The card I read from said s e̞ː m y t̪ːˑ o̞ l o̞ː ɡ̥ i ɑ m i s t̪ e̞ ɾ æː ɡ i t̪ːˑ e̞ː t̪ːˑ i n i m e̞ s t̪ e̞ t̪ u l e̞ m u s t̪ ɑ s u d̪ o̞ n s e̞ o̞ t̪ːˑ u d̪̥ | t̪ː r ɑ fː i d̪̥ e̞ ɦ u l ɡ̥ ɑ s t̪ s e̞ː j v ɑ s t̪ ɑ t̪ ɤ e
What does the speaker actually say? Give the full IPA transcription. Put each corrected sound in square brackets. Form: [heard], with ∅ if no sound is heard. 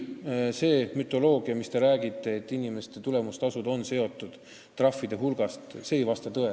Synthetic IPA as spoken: s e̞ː m y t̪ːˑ o̞ l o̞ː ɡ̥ i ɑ m i s t̪ e̞ ɾ æː ɡ i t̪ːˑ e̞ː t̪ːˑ i n i m e̞ s t̪ e̞ t̪ u l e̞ m u s t̪ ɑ s u d̪ o̞ n s e̞ o̞ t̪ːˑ u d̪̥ | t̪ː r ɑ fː i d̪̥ e̞ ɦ u l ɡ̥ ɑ s t̪ s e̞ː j v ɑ s t̪ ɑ t̪ ɤ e